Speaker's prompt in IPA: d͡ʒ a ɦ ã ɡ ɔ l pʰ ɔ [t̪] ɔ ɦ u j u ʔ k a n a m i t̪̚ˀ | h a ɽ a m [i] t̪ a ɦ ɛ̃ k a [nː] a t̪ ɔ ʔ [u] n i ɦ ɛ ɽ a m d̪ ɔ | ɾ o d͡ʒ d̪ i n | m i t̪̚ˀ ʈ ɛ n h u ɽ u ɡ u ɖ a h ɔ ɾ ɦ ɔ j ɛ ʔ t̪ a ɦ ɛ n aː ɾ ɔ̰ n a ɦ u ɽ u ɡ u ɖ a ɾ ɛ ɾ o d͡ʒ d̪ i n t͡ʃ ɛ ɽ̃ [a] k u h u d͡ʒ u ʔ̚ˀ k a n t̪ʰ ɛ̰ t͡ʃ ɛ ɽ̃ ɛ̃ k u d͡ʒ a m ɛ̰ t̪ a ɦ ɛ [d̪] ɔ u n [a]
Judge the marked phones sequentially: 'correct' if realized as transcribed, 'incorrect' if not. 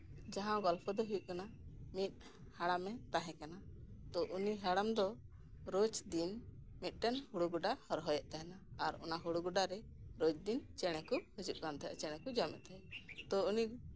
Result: incorrect, incorrect, incorrect, correct, incorrect, incorrect, incorrect

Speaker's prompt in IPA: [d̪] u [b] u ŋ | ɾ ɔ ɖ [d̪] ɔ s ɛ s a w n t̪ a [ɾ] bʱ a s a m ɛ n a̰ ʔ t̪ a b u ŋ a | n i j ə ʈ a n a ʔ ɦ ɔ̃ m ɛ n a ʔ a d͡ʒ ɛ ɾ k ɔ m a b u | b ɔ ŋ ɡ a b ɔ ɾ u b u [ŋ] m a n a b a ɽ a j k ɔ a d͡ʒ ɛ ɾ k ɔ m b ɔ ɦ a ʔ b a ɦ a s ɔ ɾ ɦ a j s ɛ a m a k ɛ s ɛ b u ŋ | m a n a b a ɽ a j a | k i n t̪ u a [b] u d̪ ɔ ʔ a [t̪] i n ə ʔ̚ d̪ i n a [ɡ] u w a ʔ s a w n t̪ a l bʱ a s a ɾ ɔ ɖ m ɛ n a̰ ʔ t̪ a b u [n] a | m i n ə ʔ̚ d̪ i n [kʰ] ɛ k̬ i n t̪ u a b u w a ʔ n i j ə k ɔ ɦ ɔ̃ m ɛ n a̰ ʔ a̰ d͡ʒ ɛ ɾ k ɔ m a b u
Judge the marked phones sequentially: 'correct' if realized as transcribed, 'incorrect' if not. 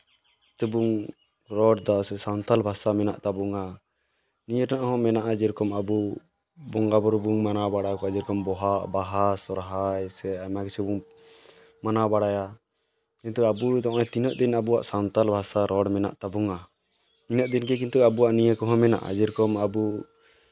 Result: incorrect, correct, correct, incorrect, correct, correct, correct, incorrect, incorrect, incorrect

